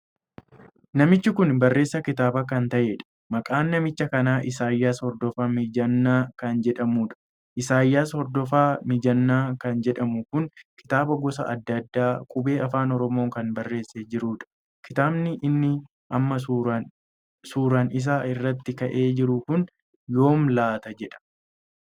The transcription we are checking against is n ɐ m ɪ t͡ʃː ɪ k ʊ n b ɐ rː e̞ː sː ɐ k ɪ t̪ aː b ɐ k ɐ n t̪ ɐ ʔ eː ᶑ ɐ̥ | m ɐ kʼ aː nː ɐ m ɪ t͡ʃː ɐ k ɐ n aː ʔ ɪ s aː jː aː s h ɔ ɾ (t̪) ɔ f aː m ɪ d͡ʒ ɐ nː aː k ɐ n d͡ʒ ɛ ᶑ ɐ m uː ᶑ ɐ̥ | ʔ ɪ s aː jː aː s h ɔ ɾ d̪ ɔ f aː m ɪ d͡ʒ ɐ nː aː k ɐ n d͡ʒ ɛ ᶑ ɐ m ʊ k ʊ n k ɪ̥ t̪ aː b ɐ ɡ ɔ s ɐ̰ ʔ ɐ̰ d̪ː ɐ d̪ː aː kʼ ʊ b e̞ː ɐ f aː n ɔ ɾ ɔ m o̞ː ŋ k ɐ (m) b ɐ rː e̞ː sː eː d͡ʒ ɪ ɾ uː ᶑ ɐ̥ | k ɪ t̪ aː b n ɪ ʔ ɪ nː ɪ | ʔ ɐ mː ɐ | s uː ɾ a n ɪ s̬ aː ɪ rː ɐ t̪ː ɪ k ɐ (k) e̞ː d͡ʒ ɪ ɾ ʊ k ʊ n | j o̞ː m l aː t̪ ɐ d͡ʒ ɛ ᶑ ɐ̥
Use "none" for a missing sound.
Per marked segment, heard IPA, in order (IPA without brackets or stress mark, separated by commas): d̪, n, ʔ